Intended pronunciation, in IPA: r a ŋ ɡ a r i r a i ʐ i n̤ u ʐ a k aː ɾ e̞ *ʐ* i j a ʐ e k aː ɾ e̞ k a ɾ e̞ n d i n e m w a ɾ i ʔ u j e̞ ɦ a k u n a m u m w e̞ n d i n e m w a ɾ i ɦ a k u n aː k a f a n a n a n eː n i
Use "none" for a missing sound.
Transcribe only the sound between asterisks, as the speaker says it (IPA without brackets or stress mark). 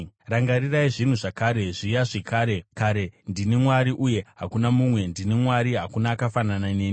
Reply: ʐ